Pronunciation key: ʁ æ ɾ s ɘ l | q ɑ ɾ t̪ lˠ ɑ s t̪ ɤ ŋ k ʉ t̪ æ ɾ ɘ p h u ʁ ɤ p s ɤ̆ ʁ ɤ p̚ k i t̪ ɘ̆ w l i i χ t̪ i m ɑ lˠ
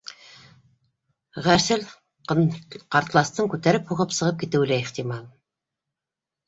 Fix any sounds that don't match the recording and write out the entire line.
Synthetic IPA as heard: ʁ æ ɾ s ɘ l | q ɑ ɾ t̪ lˠ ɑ s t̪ ɤ ŋ k ʉ t̪ æ ɾ ɘ p h u ʁ ɤ p s ɤ̆ ʁ ɤ p̚ k i t̪ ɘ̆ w l æ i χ t̪ i m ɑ lˠ